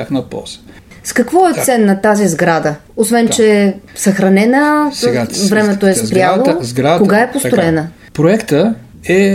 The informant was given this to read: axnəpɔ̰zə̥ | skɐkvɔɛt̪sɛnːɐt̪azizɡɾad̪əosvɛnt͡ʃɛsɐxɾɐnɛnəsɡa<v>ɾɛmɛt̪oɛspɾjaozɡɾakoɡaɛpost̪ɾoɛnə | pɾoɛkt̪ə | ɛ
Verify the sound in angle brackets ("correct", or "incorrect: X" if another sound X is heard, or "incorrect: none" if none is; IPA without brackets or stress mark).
correct